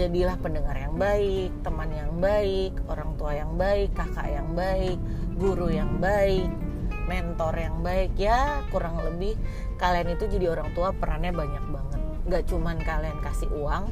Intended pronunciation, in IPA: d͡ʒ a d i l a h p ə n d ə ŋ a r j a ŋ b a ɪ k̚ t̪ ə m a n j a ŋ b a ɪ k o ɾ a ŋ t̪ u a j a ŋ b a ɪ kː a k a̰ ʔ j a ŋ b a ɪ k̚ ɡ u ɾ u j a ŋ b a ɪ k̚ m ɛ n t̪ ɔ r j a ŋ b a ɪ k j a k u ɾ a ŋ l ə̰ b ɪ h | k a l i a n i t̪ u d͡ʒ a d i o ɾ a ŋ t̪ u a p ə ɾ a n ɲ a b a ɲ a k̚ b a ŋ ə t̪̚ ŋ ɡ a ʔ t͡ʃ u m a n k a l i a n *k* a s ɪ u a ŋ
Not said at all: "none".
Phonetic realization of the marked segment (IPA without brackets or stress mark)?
k